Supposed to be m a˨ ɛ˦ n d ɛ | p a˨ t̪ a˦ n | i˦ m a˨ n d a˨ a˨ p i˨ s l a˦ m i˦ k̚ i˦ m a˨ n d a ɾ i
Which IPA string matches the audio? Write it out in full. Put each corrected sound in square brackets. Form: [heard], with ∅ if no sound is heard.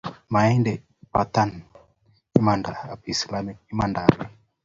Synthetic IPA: m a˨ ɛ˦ n d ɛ | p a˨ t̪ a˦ n | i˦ m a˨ n d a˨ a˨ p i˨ s l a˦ m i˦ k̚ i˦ m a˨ n d a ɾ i